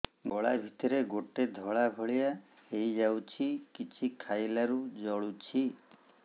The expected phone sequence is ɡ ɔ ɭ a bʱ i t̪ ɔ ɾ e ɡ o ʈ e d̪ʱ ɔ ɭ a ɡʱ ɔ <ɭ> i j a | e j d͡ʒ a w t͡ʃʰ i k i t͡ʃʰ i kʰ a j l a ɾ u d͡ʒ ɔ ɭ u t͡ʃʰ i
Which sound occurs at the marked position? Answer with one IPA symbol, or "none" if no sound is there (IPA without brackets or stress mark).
ɭ